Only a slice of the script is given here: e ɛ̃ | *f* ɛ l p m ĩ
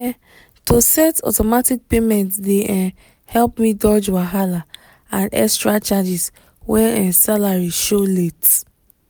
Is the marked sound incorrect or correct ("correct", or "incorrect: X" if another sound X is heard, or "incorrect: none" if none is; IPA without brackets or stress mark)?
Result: incorrect: h